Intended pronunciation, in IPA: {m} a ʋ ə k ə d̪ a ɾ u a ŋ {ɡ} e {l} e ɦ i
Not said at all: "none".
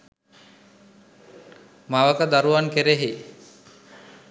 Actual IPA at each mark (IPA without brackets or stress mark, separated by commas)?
m, k, ɾ